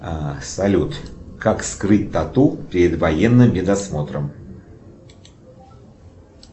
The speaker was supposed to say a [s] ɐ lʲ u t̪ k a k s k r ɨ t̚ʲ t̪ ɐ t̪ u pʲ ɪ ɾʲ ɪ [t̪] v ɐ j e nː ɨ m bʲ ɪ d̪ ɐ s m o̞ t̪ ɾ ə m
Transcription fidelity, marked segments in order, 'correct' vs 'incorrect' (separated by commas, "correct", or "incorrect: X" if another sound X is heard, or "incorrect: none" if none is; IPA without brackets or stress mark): correct, incorrect: d̪